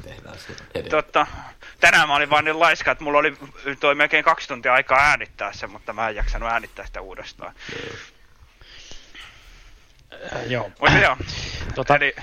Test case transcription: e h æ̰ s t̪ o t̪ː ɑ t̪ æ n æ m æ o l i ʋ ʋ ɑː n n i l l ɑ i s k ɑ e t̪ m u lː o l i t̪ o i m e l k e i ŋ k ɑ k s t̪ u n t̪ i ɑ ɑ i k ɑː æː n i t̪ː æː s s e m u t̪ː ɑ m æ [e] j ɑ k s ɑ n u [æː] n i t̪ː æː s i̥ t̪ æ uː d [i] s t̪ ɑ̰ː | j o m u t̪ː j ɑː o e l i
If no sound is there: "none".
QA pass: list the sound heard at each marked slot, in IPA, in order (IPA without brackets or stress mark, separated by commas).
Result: e, æː, e